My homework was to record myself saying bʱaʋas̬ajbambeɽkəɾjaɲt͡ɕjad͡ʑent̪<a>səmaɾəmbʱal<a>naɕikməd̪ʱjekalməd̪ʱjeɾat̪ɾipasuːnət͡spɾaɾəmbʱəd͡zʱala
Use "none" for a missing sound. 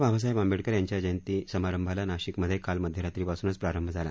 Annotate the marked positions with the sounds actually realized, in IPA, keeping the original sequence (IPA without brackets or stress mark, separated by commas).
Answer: i, a